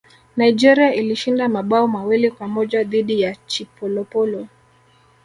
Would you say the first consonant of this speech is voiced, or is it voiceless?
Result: voiced